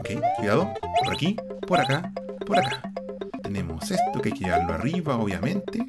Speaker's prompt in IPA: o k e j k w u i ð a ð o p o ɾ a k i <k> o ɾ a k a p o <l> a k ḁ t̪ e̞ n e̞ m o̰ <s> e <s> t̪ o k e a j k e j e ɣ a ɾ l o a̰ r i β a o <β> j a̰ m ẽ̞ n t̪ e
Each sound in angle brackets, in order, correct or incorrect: incorrect, incorrect, correct, correct, correct

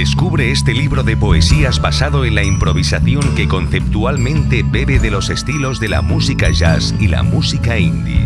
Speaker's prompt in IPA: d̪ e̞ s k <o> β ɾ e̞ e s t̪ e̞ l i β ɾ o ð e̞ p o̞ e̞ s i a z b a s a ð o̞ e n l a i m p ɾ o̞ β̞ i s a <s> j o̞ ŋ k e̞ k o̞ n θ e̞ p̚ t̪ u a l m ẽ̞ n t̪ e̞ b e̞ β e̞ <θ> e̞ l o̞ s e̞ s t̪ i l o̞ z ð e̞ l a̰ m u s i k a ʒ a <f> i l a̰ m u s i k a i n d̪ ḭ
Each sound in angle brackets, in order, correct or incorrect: incorrect, incorrect, incorrect, incorrect

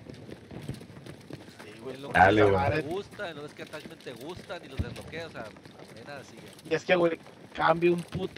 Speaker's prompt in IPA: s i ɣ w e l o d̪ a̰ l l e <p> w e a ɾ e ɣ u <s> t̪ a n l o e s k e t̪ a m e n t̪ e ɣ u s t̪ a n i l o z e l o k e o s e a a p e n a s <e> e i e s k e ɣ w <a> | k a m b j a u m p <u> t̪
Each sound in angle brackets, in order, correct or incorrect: incorrect, correct, incorrect, incorrect, correct

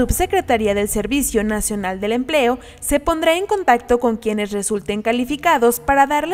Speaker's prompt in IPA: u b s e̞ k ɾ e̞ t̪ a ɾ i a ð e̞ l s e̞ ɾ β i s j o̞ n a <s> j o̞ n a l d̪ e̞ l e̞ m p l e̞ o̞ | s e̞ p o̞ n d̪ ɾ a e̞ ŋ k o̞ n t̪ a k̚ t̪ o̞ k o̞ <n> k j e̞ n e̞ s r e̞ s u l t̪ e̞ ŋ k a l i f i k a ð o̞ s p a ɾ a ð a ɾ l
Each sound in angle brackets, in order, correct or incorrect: correct, incorrect

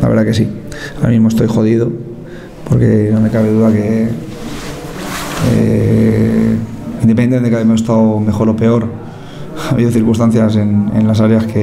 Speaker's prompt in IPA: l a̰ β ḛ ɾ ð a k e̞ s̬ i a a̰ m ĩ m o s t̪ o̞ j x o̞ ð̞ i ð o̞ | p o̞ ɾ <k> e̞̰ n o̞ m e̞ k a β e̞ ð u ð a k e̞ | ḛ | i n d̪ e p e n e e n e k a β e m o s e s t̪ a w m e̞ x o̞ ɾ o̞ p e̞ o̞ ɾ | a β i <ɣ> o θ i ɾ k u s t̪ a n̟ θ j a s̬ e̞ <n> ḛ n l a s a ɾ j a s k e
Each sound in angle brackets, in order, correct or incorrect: correct, incorrect, correct

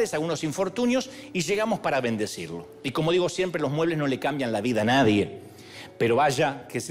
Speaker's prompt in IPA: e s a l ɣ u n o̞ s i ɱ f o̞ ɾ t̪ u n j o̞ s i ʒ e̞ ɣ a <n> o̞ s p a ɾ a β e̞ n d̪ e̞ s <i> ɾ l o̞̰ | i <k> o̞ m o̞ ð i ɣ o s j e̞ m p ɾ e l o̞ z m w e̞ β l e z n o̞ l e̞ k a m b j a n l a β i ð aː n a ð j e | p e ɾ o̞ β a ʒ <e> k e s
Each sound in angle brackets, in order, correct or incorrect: incorrect, correct, correct, incorrect

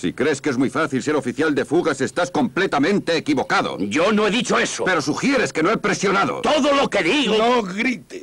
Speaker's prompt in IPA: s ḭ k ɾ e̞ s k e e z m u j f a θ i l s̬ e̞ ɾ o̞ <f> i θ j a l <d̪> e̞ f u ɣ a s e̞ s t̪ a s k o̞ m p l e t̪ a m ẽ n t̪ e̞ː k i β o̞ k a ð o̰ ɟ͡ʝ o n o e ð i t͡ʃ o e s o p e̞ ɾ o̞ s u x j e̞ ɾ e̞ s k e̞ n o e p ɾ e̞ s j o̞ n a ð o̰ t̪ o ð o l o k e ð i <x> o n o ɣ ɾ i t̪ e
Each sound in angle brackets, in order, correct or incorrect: correct, correct, incorrect

